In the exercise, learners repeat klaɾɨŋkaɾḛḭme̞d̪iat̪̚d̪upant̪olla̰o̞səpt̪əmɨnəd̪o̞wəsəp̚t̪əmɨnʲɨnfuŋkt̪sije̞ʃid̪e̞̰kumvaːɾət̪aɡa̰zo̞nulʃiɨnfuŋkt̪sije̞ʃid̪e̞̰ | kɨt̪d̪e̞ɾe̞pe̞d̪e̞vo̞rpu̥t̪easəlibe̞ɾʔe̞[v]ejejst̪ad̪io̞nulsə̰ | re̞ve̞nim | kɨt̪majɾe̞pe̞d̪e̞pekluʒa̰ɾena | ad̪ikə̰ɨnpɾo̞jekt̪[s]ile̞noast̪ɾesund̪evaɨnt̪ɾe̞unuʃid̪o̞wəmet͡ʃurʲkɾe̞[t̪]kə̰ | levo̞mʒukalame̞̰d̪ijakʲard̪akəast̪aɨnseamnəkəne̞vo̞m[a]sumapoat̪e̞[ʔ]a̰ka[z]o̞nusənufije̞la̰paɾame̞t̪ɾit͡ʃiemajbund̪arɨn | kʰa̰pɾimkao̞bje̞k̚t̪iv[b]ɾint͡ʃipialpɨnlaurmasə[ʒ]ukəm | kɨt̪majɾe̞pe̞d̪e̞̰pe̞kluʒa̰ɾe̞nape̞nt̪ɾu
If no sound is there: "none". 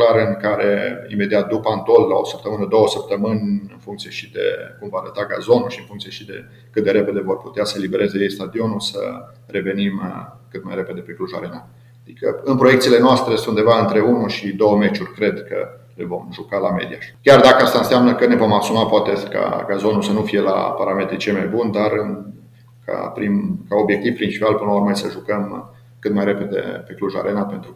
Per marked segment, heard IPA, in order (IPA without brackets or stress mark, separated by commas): z, s, d̪, a, k, z, p, ʒ